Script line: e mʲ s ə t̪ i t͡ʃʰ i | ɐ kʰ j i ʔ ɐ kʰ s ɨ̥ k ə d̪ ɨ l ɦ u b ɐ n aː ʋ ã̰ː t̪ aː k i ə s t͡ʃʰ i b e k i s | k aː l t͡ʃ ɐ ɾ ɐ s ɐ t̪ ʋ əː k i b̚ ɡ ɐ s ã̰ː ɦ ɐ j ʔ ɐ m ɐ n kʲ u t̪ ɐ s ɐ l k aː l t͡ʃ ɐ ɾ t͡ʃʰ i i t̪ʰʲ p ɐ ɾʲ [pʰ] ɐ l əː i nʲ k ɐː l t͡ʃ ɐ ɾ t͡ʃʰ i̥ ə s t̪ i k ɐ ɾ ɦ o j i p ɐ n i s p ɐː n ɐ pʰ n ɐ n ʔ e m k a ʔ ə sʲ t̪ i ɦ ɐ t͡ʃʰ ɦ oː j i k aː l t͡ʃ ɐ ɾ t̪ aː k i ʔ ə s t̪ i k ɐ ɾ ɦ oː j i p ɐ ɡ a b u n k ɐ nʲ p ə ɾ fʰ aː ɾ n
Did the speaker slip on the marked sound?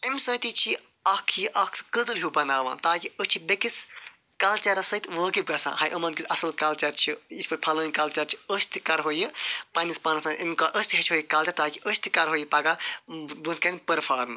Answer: no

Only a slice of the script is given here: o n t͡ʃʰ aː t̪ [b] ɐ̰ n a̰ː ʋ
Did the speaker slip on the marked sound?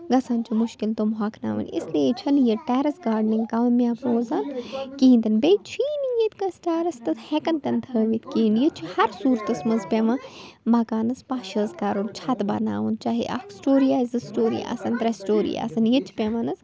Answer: no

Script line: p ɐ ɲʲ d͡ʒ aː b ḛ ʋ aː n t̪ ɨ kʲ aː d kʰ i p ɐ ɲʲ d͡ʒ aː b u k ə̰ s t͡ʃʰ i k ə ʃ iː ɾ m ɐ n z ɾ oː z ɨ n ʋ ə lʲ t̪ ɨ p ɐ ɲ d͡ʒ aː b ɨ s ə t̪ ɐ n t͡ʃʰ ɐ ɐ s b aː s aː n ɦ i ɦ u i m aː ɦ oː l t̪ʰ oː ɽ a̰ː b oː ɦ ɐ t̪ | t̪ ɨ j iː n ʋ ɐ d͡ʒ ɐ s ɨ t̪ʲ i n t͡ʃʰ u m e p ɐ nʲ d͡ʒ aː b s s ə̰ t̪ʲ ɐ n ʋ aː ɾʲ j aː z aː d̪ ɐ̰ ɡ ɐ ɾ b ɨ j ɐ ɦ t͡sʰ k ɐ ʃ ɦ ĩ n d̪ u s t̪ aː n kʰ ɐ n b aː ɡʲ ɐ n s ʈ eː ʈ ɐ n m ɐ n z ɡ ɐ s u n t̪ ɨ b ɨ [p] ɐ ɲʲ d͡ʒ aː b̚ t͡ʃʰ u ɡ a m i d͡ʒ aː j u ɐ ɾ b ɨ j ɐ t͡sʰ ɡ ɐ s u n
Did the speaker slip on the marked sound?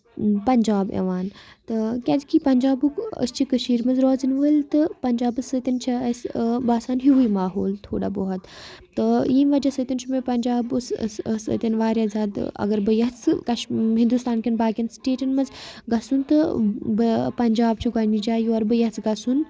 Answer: no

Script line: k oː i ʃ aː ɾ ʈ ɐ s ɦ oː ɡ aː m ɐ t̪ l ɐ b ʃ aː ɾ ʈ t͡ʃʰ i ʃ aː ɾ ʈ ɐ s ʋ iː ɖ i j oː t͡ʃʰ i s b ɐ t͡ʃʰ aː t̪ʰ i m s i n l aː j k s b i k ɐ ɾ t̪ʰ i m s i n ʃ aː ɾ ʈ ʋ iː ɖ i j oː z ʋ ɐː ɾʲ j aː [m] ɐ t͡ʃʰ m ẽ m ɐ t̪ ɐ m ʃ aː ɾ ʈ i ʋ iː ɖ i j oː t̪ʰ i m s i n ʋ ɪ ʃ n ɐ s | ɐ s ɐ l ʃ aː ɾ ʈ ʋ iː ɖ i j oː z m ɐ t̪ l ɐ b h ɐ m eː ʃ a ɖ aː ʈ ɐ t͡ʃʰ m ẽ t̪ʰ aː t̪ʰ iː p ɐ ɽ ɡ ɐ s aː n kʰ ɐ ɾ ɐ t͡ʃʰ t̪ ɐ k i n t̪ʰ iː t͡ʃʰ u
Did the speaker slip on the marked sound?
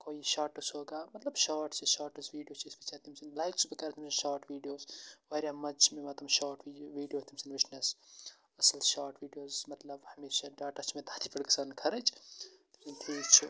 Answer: no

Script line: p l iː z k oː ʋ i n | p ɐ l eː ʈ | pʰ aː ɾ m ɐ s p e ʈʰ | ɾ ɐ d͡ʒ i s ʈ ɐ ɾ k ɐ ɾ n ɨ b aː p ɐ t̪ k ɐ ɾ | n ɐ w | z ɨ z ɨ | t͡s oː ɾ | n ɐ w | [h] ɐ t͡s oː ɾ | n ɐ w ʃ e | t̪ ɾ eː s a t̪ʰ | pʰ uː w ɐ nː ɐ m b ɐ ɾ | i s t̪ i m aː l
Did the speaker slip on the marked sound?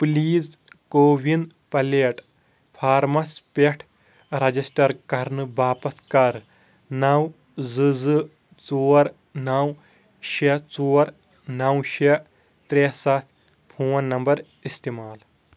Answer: yes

